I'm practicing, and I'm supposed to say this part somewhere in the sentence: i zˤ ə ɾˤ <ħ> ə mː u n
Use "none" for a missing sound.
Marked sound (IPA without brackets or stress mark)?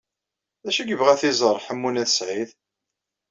ħ